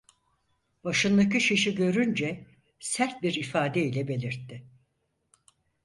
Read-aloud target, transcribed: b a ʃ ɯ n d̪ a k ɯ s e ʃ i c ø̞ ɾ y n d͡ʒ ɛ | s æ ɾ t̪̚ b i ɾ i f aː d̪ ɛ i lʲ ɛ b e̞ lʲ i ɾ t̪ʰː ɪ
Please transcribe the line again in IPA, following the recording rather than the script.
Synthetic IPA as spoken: b a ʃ ɯ n d̪ a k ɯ ʃ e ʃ i ɟ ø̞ ɾ y n d͡ʒ ɛ | s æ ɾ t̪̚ b i ɾ i f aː d̪ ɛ i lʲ ɛ b e̞ lʲ i ɾ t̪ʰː ɪ